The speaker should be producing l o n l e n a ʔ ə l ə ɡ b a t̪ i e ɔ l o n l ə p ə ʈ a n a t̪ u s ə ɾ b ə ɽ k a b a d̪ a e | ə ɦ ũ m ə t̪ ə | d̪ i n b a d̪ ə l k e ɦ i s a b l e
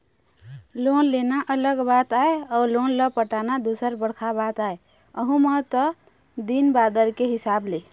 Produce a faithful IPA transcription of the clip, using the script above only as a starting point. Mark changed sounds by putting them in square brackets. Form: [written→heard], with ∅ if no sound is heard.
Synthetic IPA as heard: l o n l e n a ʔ ə l ə ɡ b a t̪ [i→a] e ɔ l o n l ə p ə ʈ a n a [t̪→d̪] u s ə ɾ b ə ɽ [k→kʰ] a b a [d̪→t̪] a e | ə ɦ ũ m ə t̪ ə | d̪ i n b a d̪ ə [l→ɾ] k e ɦ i s a b l e